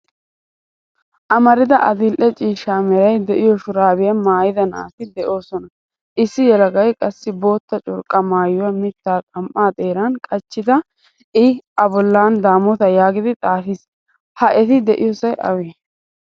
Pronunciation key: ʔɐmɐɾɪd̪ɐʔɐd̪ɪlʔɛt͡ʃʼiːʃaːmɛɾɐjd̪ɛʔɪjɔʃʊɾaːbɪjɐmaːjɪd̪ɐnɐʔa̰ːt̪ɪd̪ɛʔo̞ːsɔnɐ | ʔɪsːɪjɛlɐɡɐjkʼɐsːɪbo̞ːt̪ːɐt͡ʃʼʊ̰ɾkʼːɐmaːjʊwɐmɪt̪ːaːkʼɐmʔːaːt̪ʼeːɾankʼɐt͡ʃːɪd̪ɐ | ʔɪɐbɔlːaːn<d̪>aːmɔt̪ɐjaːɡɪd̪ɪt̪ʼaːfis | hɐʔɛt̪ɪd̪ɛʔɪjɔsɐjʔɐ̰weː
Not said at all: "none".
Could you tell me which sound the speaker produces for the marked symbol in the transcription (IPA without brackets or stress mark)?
d̪